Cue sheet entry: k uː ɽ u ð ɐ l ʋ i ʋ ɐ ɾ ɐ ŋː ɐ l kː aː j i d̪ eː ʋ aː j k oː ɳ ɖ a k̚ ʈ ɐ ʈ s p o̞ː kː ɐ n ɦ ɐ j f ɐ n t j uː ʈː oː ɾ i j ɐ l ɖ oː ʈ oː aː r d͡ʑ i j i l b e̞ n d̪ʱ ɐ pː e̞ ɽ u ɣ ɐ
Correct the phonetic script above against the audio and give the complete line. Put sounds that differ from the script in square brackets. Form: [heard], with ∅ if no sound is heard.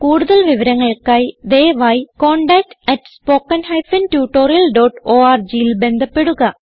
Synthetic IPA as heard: k uː ɽ u ð ɐ l ʋ i ʋ ɐ ɾ ɐ ŋː ɐ [ɭ] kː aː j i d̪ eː ʋ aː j k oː ɳ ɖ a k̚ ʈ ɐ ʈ s p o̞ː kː ɐ n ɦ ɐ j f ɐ n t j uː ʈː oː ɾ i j ɐ l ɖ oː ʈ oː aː r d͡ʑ i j i l b e̞ n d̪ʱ ɐ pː e̞ ɽ u ɣ ɐ